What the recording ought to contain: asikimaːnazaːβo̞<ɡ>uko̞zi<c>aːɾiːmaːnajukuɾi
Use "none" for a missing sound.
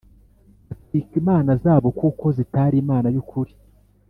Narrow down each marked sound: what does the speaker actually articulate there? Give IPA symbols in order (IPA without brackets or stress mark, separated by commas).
k, t